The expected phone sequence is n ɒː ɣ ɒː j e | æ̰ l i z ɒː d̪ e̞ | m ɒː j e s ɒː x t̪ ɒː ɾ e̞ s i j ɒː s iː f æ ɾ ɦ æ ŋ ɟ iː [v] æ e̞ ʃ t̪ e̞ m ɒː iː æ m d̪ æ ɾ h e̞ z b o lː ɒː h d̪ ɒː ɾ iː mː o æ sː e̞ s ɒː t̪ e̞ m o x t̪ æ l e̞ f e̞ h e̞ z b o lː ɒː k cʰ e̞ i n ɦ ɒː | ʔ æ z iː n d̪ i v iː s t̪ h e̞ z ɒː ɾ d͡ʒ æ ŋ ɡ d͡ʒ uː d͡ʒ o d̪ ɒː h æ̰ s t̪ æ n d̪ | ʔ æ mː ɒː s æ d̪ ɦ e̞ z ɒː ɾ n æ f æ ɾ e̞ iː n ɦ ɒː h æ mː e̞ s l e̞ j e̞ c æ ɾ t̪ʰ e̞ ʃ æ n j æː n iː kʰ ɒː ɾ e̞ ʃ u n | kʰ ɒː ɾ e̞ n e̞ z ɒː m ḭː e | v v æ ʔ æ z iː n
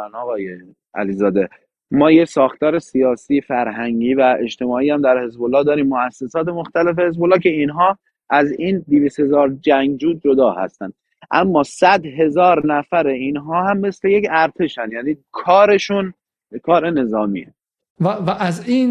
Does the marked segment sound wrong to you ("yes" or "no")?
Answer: no